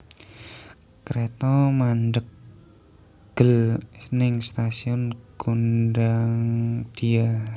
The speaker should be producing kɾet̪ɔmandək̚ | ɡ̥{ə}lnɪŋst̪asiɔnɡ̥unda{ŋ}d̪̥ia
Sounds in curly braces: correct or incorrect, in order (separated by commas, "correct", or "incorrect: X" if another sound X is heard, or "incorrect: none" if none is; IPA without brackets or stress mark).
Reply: correct, correct